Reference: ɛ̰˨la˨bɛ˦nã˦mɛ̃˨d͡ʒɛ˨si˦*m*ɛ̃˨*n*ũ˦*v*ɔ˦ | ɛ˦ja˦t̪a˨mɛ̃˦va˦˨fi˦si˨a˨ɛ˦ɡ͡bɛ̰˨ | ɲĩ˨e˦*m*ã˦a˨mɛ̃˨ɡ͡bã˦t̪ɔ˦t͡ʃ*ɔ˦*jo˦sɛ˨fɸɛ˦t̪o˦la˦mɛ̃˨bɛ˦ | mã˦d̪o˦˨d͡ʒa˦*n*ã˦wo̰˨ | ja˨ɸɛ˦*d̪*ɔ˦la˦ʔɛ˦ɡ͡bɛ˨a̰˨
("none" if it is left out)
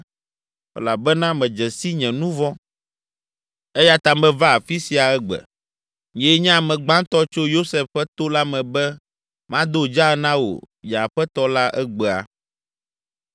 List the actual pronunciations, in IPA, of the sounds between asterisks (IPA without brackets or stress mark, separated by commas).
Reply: ɲ, n, v, ɲ, o˦, n, t̪